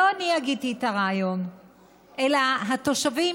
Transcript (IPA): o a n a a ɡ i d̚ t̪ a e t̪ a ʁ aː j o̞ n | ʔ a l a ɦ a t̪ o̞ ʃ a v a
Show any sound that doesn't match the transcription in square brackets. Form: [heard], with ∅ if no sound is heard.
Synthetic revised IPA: o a n [i] a ɡ i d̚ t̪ [i] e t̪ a ʁ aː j o̞ n | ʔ [e] l a ɦ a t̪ o̞ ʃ a v [i]